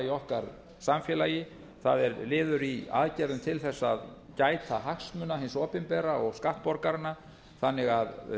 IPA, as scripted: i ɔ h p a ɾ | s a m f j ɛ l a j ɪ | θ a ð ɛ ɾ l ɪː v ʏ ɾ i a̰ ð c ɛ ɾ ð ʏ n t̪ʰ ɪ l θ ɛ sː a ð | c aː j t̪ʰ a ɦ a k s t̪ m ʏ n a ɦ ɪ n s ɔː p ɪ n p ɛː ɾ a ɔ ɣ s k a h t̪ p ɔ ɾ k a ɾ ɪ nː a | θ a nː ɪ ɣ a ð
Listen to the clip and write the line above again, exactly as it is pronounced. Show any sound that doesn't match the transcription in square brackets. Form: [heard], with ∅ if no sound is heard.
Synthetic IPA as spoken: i ɔ h [k] a ɾ | s a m f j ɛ l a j ɪ | θ a ð ɛ ɾ l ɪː [ð] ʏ ɾ i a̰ ð c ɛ ɾ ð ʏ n t̪ʰ ɪ l θ ɛ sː a ð | c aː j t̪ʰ a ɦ a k s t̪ m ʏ n a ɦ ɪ n s ɔː p ɪ n p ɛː ɾ a ɔ ɣ s k a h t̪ p ɔ ɾ k a ɾ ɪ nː a | θ a nː ɪ ɣ a ð